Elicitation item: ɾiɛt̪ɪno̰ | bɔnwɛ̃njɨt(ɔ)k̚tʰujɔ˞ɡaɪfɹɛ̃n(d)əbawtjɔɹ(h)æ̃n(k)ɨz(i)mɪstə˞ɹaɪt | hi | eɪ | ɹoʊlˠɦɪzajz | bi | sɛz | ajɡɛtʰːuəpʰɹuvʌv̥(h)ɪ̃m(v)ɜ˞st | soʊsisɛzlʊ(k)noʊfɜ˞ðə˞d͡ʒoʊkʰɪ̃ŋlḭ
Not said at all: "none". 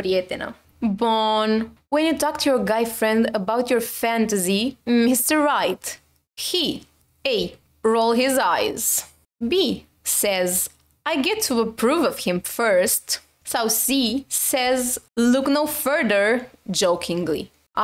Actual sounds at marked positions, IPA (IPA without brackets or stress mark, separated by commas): ɔ, d, f, t, i, h, f, k